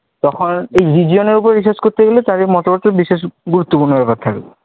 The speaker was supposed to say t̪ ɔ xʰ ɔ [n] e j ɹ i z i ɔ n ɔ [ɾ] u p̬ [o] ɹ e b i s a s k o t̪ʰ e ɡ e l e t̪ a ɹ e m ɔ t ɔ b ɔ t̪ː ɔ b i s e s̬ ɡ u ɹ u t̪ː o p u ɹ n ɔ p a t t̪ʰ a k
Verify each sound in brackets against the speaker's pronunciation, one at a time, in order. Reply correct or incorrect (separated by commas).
correct, incorrect, incorrect